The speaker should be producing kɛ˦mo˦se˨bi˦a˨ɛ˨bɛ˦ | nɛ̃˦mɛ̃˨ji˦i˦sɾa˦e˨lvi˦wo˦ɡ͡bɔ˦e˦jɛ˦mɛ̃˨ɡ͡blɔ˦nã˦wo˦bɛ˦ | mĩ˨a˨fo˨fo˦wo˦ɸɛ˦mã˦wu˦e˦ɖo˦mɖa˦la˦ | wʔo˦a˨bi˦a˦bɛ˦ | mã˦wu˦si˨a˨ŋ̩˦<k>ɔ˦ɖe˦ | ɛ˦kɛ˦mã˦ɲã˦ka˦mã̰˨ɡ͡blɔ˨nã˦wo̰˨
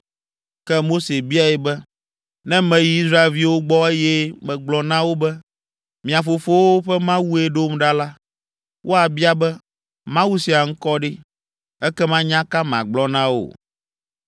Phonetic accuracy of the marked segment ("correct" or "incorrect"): correct